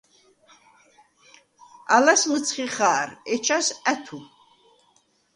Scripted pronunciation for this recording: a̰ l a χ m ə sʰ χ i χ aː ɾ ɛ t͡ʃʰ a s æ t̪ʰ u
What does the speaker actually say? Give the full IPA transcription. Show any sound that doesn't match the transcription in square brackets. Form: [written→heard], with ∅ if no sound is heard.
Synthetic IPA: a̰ l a [χ→s] m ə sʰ χ i χ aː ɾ ɛ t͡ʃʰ a s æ t̪ʰ u